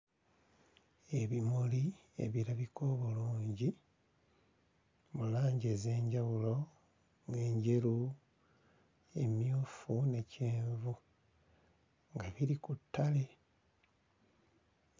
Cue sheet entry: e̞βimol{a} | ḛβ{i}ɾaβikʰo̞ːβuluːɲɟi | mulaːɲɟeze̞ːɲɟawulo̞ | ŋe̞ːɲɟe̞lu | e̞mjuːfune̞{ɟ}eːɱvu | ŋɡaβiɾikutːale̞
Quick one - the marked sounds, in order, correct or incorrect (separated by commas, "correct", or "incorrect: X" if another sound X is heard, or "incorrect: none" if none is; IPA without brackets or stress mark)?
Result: incorrect: i, correct, incorrect: c